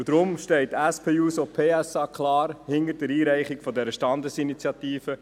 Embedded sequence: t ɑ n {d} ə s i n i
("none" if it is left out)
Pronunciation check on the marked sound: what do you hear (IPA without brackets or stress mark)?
d